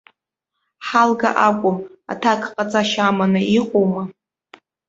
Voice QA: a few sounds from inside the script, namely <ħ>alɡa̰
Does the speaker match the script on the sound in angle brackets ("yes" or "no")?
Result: yes